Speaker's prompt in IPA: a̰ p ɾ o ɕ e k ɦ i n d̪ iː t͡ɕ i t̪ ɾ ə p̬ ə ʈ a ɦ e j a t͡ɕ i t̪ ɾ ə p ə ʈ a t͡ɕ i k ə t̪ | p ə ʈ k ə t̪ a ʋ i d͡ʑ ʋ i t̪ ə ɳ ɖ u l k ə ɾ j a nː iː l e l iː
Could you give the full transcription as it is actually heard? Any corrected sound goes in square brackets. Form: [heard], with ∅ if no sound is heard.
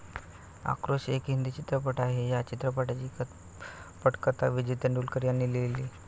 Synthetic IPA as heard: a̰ [k] ɾ o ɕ e k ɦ i n d̪ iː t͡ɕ i t̪ ɾ ə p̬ ə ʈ a ɦ e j a t͡ɕ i t̪ ɾ ə p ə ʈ a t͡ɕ i k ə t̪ | p ə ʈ k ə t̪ a ʋ i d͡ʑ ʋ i t̪ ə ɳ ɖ u l k ə ɾ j a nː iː l e l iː